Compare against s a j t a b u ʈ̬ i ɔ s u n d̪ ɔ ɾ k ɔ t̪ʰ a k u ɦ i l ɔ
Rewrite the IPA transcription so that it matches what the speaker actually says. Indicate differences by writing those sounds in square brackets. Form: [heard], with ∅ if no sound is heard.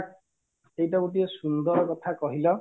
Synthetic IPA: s [e] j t a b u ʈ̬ i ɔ s u n d̪ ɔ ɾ k ɔ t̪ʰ a k [ɔ] ɦ i l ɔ